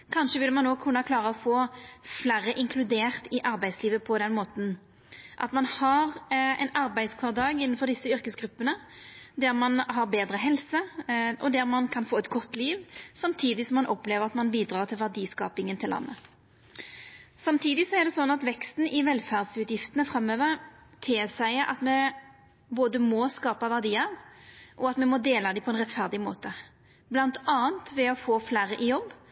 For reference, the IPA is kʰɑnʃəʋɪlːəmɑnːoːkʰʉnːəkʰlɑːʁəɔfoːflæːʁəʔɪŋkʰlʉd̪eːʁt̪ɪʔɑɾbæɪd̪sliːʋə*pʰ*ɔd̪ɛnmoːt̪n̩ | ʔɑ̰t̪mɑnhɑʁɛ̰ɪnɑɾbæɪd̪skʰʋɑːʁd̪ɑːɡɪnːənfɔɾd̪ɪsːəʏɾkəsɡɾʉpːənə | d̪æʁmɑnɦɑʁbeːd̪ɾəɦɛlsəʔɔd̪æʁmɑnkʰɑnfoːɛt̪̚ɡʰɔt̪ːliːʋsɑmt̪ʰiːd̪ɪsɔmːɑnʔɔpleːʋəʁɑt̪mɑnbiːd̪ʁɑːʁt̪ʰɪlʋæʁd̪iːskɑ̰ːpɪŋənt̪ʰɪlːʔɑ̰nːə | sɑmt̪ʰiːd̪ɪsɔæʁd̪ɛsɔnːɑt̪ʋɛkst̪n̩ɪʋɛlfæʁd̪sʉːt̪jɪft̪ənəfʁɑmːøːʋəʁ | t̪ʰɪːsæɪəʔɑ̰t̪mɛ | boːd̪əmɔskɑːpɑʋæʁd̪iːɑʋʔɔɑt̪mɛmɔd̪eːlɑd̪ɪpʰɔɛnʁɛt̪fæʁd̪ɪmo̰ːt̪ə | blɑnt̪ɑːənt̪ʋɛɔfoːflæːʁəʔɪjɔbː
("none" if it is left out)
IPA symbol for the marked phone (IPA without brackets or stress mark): pʰ